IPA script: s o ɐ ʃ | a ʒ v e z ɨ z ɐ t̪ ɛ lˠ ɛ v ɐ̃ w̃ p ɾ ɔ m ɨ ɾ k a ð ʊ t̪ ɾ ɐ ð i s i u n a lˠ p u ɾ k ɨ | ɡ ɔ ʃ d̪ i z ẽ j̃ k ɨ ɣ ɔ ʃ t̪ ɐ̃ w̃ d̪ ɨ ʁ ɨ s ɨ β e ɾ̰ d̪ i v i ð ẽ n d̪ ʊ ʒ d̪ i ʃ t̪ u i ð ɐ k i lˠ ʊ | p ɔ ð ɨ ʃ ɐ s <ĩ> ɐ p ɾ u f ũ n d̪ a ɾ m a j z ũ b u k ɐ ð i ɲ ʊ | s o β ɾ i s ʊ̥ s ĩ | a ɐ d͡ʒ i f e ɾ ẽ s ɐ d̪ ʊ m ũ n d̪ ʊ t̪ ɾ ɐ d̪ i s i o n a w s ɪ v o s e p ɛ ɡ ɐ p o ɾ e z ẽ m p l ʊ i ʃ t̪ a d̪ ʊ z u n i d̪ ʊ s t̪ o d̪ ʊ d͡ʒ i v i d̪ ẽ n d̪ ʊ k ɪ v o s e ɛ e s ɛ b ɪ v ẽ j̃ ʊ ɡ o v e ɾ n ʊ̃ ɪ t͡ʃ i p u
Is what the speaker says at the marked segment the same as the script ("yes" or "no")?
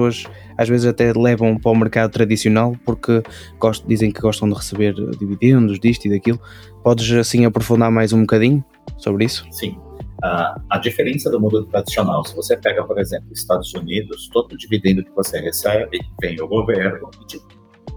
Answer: yes